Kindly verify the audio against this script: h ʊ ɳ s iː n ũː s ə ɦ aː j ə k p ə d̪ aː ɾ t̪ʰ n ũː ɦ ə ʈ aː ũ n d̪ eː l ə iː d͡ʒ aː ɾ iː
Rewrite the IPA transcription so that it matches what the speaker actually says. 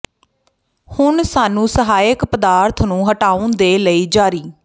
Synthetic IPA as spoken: h ʊ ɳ s aː n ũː s ə ɦ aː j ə k p ə d̪ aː ɾ t̪ʰ n ũː ɦ ə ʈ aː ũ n d̪ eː l ə iː d͡ʒ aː ɾ iː